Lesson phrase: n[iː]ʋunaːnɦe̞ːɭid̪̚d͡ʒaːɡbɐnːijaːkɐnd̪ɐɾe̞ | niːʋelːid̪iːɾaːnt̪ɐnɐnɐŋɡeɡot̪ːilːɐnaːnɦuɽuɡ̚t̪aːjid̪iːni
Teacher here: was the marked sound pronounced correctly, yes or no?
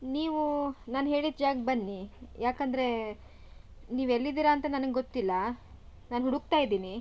yes